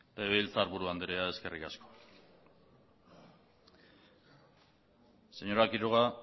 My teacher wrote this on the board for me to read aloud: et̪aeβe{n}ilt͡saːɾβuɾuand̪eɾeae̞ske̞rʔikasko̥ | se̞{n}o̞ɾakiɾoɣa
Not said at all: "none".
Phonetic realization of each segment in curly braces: none, ɲ

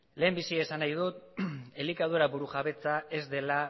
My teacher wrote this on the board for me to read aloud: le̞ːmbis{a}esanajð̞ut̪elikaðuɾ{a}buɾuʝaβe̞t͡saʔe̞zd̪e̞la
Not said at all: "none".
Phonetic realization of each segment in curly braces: i, a

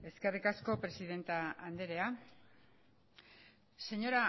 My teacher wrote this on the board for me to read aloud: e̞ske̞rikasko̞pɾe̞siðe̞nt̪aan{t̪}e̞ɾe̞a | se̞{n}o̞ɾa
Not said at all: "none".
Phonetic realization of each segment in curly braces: d̪, ɲ

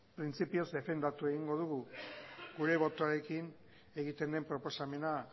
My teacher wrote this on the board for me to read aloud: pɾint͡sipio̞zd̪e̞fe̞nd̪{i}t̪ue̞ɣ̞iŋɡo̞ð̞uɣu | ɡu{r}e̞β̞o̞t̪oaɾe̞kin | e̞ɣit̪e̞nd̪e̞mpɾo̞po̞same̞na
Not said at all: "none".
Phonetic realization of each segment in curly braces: a, ɾ

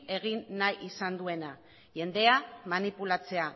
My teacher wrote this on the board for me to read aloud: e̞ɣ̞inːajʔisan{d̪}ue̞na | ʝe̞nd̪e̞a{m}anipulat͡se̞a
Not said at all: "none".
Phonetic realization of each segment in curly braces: d̪, m

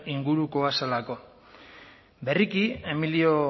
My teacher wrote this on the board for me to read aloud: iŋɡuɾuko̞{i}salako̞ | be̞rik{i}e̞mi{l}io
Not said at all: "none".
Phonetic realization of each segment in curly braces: a, i, l

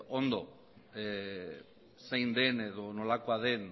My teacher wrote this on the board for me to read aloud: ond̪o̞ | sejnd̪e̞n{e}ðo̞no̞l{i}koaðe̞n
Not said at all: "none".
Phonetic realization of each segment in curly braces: e, a

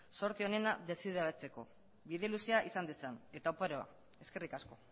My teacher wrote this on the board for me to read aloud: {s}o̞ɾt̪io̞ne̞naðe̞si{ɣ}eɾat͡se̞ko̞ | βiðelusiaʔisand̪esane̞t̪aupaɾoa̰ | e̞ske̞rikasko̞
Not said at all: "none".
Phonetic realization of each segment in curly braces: s, ð

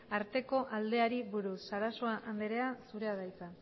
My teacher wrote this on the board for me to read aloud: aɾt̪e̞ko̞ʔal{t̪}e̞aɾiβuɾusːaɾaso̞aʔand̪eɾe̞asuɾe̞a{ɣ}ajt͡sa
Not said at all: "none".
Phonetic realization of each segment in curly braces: d̪, ð

